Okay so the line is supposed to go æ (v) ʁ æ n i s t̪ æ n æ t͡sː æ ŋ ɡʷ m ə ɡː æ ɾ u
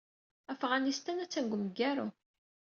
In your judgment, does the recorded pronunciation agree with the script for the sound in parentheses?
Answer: no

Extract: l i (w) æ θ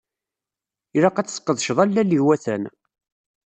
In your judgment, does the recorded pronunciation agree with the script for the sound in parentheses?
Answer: yes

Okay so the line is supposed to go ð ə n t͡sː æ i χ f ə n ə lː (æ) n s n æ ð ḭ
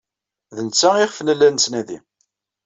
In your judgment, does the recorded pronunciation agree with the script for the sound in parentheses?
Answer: yes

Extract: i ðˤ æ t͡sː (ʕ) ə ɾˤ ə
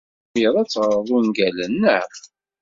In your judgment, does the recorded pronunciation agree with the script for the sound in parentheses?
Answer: no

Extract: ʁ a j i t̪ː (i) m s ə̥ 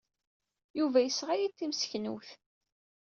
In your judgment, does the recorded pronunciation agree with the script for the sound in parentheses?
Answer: yes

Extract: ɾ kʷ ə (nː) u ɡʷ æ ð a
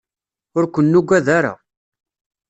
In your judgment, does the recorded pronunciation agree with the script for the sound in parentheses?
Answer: yes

